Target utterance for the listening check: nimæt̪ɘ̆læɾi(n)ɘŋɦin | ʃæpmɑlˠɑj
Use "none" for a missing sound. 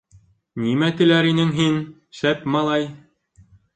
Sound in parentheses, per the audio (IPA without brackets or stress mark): n